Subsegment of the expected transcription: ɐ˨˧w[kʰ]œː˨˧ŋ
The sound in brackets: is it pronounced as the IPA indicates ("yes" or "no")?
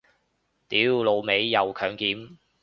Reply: yes